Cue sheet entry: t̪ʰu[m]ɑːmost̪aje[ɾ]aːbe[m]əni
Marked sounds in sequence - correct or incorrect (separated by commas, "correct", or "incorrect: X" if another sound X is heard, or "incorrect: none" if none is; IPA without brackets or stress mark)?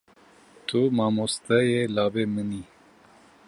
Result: correct, incorrect: l, correct